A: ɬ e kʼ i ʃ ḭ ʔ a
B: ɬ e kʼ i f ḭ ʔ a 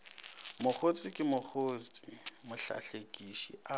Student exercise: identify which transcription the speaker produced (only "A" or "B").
A